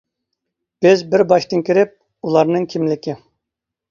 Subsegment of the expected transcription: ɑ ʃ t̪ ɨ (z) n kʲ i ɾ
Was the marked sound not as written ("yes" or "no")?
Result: yes